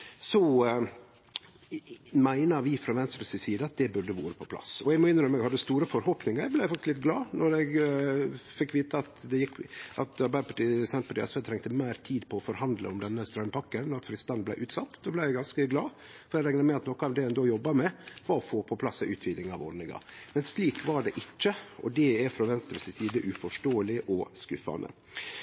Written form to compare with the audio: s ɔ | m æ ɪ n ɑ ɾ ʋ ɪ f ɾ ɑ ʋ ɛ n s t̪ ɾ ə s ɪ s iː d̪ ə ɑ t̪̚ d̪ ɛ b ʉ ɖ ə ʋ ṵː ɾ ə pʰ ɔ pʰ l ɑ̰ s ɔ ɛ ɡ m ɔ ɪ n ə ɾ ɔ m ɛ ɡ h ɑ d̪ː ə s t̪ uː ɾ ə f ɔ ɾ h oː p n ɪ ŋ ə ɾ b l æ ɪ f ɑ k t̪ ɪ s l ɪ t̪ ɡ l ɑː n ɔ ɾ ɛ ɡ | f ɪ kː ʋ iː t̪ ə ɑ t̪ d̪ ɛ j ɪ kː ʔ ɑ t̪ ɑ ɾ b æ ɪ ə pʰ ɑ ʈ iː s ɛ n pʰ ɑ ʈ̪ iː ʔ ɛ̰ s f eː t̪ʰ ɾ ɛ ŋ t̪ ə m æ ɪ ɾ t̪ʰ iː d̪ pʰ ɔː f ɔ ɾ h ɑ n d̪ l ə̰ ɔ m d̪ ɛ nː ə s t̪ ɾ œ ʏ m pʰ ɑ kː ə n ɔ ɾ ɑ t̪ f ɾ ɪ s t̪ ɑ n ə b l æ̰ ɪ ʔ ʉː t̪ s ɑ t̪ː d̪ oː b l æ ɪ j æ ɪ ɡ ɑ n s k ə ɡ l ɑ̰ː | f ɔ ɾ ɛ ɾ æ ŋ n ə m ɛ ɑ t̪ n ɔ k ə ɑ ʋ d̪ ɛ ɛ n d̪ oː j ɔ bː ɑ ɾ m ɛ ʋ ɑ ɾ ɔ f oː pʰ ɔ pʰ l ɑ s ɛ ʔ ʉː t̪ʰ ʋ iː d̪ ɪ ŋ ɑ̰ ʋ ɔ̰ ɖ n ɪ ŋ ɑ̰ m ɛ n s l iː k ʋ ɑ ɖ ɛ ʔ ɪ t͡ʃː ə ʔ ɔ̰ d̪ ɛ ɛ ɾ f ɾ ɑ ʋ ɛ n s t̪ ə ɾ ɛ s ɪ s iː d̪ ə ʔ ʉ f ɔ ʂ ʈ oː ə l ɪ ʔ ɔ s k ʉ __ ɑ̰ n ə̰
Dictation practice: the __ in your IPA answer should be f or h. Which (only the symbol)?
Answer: f